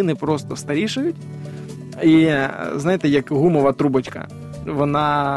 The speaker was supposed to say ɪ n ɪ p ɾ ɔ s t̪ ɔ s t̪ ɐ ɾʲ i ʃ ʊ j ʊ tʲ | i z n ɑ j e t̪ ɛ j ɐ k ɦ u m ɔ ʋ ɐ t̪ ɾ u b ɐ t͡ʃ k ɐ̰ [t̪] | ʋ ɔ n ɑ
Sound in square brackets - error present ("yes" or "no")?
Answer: yes